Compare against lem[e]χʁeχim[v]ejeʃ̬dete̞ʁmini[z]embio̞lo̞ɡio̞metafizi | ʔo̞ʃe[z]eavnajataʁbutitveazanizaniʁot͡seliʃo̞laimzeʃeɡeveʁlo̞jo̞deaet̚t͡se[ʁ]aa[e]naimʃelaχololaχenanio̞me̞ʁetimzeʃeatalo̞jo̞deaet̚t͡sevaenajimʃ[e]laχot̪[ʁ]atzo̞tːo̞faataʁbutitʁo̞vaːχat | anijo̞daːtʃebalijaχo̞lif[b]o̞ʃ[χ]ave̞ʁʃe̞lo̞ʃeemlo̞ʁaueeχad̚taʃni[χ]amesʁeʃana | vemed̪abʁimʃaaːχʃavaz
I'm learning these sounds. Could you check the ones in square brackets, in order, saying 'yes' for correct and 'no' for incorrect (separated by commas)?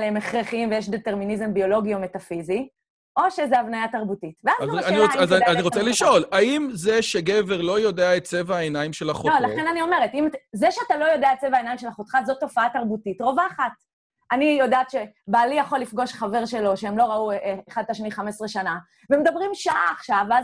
yes, yes, yes, yes, no, yes, yes, no, no, yes, yes